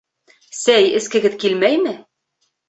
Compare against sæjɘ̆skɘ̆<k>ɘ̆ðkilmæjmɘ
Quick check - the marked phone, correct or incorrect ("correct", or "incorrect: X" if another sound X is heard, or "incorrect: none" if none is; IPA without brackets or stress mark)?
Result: incorrect: ɡ